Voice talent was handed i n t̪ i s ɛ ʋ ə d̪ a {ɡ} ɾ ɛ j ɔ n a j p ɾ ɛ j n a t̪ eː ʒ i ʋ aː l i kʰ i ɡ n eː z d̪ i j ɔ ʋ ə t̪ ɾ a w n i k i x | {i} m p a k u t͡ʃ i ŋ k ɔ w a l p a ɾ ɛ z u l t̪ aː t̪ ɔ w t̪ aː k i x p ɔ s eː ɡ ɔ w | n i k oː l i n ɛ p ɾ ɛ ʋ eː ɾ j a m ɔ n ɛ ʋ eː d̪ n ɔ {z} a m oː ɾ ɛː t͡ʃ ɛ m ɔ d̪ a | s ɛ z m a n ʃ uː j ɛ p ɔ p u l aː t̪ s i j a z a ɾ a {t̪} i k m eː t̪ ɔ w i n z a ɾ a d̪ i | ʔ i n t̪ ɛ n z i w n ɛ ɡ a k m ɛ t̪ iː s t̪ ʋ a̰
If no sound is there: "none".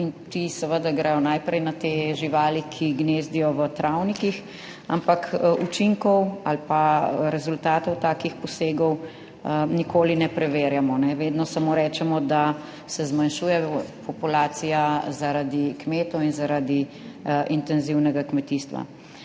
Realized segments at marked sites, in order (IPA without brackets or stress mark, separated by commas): ɡ, a, s, d̪